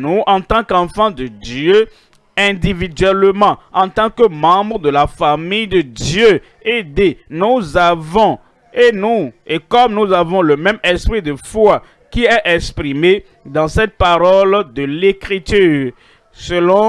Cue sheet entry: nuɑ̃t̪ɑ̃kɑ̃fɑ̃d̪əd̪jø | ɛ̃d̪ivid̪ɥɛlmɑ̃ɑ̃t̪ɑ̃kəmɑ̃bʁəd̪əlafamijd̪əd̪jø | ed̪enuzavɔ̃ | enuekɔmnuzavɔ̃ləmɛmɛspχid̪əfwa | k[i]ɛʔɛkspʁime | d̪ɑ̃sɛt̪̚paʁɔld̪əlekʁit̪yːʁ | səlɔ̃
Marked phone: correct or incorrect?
correct